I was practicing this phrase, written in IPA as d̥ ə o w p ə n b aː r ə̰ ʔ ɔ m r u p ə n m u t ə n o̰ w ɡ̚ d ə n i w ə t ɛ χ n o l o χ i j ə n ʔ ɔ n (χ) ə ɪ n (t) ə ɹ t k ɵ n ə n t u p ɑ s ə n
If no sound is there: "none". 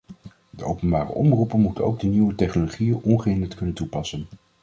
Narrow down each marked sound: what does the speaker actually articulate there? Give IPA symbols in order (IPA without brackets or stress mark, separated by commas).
χ, d